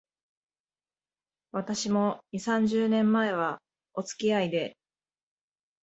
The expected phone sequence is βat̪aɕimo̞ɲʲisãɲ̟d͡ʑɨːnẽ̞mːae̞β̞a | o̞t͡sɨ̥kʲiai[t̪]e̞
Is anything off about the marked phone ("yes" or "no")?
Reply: yes